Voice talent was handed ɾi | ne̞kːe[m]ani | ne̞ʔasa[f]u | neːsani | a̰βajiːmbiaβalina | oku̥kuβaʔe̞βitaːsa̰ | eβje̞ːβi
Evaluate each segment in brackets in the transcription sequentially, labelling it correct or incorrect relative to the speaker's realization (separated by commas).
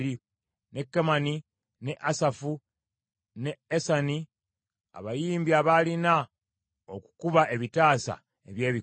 correct, correct